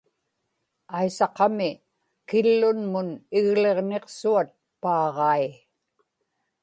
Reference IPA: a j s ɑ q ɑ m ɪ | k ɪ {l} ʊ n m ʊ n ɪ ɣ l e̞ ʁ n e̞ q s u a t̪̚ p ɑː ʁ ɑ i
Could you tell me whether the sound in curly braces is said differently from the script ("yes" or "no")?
yes